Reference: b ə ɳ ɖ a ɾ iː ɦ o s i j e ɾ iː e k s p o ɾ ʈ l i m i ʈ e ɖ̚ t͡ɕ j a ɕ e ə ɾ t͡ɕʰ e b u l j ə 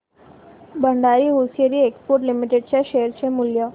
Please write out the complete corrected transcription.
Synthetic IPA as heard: b ə ɳ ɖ a ɾ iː ɦ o s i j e ɾ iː e k s p o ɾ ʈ l i m i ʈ e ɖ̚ t͡ɕ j a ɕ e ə ɾ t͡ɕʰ e m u l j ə